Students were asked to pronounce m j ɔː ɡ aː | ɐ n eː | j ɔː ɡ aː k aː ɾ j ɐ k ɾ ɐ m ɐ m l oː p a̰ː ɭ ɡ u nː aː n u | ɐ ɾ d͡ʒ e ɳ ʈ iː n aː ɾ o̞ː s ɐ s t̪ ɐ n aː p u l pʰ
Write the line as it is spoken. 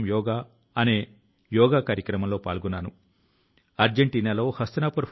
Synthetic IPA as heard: m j ɔː ɡ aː | ɐ n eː | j ɔː ɡ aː k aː ɾ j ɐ k ɾ ɐ m ɐ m l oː p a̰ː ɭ ɡ u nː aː n u | ɐ ɾ d͡ʒ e ɳ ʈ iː n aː l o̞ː h ɐ s t̪ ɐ n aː p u ɾ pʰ